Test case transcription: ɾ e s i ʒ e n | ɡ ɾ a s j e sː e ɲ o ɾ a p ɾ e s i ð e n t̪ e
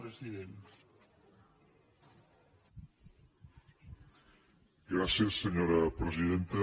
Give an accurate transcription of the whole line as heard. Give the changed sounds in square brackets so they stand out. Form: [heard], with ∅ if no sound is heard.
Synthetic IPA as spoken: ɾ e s i [ð] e n | ɡ ɾ a s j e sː e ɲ o ɾ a p ɾ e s i ð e n t̪ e

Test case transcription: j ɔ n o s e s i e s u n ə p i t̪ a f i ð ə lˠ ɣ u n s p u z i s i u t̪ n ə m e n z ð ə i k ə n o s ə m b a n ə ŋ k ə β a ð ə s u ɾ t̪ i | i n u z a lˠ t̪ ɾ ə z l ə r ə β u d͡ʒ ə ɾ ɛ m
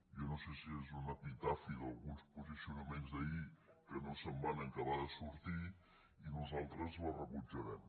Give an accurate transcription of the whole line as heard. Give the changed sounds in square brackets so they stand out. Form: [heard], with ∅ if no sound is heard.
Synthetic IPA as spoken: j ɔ n o s e s i e [z] u n ə p i t̪ a f i ð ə lˠ ɣ u n s p u z i s i u [∅] n ə m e n z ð ə i k ə n o s ə m b a n ə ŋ k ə β a ð ə s u ɾ t̪ i | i n u z a lˠ t̪ ɾ ə z l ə r ə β u d͡ʒ ə ɾ ɛ m

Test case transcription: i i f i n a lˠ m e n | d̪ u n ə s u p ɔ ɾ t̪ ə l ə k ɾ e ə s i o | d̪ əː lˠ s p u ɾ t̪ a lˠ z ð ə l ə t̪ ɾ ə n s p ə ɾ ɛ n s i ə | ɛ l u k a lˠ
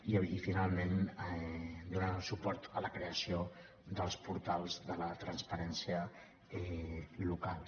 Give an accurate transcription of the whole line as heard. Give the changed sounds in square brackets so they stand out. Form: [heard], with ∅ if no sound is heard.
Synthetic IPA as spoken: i i f i n a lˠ m e n | d̪ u n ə s u p ɔ ɾ t̪ ə l ə k ɾ e ə s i o | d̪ [ə] lˠ s p u ɾ t̪ a lˠ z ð ə l ə t̪ ɾ ə n s p ə ɾ ɛ n s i ə | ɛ l u k a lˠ

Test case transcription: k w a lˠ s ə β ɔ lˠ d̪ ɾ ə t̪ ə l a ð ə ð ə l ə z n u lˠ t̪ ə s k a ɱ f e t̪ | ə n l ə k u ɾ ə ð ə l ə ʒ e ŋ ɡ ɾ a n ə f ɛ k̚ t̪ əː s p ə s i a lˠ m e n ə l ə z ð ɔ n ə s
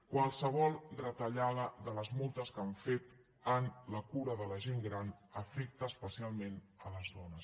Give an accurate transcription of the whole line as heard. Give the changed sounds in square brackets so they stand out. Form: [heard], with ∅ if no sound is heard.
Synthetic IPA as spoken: k w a lˠ s ə β ɔ lˠ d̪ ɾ ə t̪ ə [ʎ] a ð ə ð ə l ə z [m] u lˠ t̪ ə s k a ɱ f e t̪ | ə n l ə k u ɾ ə ð ə l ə ʒ e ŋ ɡ ɾ a n ə f ɛ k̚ t̪ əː s p ə s i a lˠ m e n ə l ə z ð ɔ n ə s

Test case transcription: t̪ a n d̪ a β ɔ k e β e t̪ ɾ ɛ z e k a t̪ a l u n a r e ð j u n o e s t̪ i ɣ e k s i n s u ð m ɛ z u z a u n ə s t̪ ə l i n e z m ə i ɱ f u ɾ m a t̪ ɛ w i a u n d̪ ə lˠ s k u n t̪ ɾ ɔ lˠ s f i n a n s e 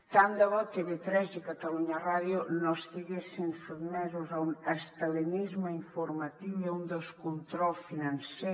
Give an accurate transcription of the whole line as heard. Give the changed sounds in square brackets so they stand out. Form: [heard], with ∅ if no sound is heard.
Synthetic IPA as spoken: t̪ a n d̪ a β ɔ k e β e t̪ ɾ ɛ z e k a t̪ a l u [ɲ] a r [a] ð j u n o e s t̪ i ɣ e [∅] s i n s u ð m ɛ z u z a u n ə s t̪ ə l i n [i] z m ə i ɱ f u ɾ m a t̪ [i] w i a u n d̪ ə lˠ s k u n t̪ ɾ ɔ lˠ s f i n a n s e

